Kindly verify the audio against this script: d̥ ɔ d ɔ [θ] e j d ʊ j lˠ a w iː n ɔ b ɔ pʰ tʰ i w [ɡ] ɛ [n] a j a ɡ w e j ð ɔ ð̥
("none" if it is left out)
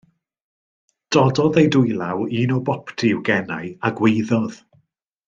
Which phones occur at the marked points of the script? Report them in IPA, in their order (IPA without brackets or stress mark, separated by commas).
ð, ɡ, n